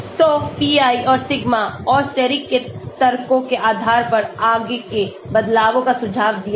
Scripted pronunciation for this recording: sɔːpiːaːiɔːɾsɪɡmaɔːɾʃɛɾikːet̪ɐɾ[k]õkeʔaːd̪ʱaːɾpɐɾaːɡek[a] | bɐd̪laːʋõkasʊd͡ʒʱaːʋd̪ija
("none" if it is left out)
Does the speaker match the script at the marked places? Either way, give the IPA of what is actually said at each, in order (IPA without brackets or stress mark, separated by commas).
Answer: k, e